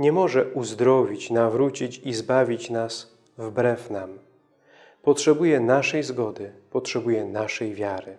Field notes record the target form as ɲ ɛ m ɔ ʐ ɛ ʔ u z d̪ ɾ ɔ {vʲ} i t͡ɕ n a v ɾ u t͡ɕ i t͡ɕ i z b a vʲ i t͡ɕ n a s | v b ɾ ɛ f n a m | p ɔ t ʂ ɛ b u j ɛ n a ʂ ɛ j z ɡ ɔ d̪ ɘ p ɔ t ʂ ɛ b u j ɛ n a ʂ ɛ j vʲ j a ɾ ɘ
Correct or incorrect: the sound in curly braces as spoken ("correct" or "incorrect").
correct